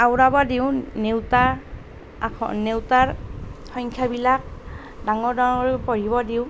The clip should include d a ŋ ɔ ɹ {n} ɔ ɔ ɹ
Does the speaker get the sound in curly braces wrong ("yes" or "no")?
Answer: yes